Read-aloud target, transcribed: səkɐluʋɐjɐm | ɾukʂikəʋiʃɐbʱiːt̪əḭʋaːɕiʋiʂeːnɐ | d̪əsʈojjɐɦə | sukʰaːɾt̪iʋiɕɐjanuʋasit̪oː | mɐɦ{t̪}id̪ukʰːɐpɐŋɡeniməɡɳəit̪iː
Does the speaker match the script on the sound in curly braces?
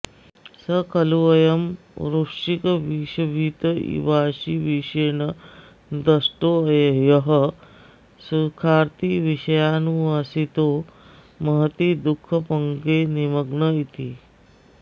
yes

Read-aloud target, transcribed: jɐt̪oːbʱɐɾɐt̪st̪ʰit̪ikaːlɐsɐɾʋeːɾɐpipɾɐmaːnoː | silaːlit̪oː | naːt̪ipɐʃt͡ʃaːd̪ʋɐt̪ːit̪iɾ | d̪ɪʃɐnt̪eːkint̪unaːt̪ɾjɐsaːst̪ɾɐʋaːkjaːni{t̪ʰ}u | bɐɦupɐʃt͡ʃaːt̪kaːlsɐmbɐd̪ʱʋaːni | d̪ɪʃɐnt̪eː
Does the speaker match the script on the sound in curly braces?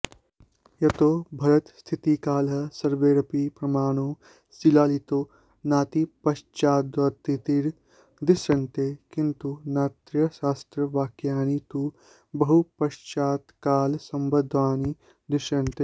no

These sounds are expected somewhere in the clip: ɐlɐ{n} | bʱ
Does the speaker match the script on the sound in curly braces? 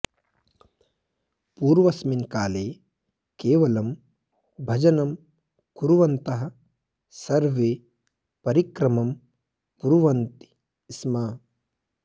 no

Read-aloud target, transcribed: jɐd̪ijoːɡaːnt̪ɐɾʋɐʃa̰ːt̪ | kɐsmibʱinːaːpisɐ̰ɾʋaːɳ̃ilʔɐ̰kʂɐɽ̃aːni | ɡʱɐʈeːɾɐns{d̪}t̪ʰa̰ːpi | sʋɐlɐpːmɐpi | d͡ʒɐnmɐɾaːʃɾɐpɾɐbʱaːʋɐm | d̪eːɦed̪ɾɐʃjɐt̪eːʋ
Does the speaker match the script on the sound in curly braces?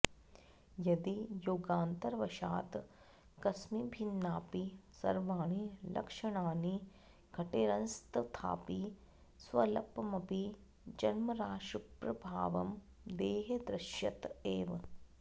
no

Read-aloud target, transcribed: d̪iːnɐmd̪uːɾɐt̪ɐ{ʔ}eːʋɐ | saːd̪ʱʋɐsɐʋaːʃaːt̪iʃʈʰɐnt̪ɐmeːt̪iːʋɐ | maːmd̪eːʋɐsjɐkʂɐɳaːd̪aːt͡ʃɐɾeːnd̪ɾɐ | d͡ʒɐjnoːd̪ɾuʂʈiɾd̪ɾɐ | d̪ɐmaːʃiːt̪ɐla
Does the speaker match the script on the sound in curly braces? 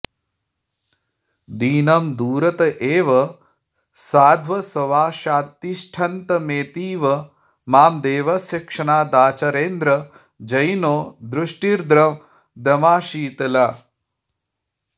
yes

